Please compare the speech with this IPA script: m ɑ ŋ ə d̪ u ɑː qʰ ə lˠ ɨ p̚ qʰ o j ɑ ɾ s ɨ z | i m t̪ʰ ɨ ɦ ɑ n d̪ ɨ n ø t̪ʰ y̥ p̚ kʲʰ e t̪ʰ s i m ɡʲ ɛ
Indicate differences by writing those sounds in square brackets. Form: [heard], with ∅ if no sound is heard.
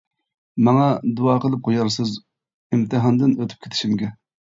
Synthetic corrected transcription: m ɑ ŋ [ɑ] d̪ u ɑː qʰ ə lˠ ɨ p̚ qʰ o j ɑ ɾ s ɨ z | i m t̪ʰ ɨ ɦ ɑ n d̪ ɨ n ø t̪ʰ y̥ p̚ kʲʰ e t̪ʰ [ʃ] i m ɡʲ ɛ

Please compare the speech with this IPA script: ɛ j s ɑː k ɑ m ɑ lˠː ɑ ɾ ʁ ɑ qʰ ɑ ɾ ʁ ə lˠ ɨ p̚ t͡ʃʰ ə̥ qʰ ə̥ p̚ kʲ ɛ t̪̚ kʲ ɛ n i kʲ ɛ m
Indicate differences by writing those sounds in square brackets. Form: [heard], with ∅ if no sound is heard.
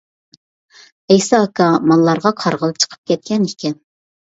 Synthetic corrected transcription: ɛ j s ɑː k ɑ m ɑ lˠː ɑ ɾ ʁ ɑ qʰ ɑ ɾ ʁ ə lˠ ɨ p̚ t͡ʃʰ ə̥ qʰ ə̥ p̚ kʲ ɛ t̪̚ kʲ ɛ n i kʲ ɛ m

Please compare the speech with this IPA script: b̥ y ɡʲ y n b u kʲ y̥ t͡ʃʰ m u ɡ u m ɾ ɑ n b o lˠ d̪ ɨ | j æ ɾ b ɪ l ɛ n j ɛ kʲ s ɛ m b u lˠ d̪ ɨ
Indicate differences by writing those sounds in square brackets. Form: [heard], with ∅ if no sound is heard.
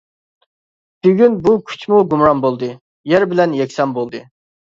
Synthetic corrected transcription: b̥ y ɡʲ y n b u [kʲʰ] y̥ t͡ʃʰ m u ɡ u m ɾ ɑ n b o lˠ d̪ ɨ | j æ ɾ b ɪ l ɛ n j ɛ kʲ s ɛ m b [o] lˠ d̪ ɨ

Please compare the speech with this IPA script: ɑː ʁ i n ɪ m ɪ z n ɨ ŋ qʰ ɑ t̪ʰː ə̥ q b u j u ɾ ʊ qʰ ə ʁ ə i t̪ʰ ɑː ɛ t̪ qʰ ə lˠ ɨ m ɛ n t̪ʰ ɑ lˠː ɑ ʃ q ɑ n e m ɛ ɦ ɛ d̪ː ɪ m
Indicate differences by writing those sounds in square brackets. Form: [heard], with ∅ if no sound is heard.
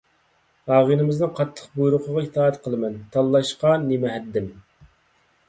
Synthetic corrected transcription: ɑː ʁ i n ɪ m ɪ z n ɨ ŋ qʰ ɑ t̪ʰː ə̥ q b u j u ɾ ʊ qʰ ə ʁ [ɑ] i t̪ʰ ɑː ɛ t̪ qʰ ə lˠ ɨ m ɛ n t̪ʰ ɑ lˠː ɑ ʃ q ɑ n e m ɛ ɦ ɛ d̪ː ɪ m

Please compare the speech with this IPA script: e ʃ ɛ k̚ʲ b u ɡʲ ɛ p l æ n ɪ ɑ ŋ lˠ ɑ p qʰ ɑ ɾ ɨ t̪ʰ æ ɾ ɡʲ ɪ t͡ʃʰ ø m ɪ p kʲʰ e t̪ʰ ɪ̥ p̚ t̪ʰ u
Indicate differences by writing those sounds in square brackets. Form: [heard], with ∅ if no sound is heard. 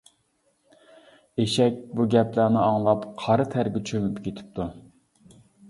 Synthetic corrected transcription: e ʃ ɛ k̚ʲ b u ɡʲ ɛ p l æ n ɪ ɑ ŋ lˠ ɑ p qʰ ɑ ɾ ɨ t̪ʰ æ ɾ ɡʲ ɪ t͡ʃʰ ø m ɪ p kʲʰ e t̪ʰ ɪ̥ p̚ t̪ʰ u

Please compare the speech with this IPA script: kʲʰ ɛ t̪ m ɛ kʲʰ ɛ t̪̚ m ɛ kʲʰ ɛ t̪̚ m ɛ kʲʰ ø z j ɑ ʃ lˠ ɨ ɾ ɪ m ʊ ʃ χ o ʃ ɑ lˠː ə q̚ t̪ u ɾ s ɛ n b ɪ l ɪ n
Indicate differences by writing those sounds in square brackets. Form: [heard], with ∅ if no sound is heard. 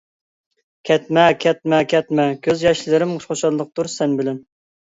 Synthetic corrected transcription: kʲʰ ɛ t̪ m ɛ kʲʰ ɛ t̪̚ m ɛ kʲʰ ɛ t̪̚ m ɛ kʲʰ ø z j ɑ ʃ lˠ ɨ ɾ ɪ m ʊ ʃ χ o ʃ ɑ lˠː ə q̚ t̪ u ɾ s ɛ n b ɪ l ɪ n

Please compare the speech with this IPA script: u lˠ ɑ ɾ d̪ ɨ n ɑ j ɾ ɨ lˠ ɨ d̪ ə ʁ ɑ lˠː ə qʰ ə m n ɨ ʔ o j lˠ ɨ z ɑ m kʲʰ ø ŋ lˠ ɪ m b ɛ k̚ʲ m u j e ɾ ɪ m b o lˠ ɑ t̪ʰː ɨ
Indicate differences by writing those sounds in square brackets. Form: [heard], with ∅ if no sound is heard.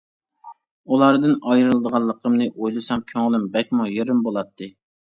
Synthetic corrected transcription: u lˠ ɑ ɾ d̪ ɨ n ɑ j ɾ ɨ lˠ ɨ d̪ ə ʁ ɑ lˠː ə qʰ ə m n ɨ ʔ o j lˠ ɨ [s] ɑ m kʲʰ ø ŋ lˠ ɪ m b ɛ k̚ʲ m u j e ɾ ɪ m b o lˠ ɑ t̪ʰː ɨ

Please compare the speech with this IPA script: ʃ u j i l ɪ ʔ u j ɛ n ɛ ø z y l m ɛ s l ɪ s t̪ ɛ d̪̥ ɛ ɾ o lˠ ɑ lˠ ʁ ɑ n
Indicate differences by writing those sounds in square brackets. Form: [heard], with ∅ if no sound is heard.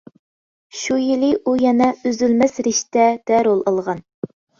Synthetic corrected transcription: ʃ u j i l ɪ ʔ u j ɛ n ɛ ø z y l m ɛ s [ɾ] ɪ [ʃ] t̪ ɛ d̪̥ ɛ ɾ o lˠ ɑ lˠ ʁ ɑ n

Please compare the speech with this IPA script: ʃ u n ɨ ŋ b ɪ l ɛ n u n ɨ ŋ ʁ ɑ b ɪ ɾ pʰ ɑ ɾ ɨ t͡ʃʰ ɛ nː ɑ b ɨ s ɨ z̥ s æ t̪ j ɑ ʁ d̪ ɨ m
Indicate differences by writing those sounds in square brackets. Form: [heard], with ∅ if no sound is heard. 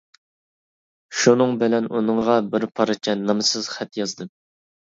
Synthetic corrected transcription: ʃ u n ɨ ŋ b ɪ l ɛ n u n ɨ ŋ ʁ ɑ b ɪ ɾ pʰ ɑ ɾ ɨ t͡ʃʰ ɛ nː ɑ [m] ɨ s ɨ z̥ [χ] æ t̪ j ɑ [z] d̪ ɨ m

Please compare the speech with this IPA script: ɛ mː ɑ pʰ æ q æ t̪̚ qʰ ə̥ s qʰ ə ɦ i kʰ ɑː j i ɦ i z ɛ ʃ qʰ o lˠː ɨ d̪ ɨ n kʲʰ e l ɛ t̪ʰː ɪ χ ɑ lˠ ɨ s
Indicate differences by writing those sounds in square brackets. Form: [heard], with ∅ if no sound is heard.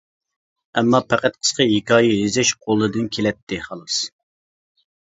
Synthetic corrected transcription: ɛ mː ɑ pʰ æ q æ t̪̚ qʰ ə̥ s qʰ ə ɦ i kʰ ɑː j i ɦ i z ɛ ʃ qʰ o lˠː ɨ d̪ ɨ n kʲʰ e l ɛ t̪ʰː ɪ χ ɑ lˠ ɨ s

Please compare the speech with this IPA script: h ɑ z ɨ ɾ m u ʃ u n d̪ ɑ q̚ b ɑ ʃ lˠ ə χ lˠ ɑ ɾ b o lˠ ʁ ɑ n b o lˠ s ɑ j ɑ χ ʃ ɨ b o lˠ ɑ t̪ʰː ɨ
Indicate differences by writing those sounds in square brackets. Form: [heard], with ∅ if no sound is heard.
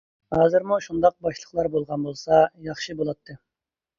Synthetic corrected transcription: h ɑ z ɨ ɾ m u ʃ u n d̪ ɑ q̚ b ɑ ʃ lˠ ə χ lˠ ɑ ɾ b o lˠ ʁ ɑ n b o lˠ s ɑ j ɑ χ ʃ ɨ b o lˠ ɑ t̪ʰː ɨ

